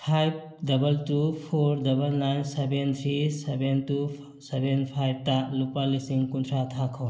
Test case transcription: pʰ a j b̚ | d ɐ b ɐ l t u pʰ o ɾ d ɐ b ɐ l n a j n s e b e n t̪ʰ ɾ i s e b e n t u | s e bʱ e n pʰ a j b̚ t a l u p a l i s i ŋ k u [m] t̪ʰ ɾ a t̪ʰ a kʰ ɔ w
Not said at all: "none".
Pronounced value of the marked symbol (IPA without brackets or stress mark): n